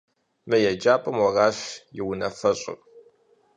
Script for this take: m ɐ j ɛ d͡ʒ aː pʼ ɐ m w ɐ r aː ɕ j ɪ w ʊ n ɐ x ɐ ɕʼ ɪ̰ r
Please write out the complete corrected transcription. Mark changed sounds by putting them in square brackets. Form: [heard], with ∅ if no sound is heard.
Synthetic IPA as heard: m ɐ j ɛ d͡ʒ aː pʼ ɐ m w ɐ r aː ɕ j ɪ w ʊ n ɐ [f] ɐ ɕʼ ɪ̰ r